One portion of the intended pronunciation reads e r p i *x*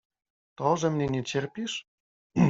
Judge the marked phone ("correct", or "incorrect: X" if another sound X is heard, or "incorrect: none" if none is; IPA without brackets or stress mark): incorrect: ʃ